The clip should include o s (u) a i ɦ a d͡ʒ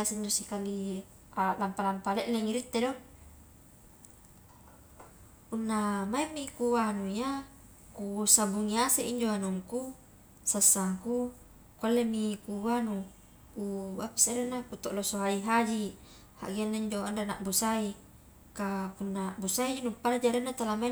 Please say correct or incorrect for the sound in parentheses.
incorrect